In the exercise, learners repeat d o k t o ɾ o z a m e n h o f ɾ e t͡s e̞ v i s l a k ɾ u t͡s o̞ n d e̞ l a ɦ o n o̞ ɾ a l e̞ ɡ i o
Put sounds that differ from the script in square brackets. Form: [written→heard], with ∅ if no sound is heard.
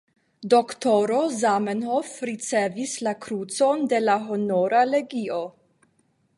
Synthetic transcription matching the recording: d o k t o ɾ o z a m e n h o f ɾ [e→i] t͡s e̞ v i s l a k ɾ u t͡s o̞ n d e̞ l a ɦ o n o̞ ɾ a l e̞ ɡ i o